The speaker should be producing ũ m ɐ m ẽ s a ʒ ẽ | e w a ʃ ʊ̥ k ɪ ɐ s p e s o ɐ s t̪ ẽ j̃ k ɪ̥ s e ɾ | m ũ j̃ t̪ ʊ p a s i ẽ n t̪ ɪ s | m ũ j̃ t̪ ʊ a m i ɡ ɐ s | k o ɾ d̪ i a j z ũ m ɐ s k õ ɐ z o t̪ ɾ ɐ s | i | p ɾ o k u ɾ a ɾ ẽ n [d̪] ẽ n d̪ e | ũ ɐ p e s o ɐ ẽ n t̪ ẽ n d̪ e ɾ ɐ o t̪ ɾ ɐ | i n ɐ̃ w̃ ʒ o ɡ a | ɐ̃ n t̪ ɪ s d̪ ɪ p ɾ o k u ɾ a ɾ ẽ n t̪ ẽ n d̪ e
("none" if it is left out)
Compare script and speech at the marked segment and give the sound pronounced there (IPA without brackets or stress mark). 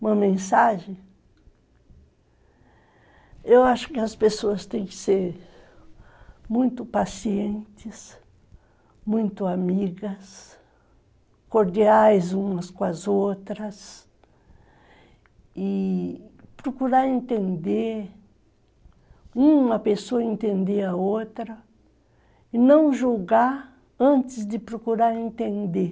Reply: t̪